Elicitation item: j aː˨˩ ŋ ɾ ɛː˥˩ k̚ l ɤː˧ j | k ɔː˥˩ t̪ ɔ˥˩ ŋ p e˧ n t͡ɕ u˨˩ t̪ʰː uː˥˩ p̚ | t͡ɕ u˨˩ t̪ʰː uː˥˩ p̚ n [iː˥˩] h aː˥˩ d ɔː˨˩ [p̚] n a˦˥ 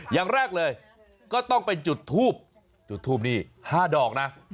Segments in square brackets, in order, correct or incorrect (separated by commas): correct, incorrect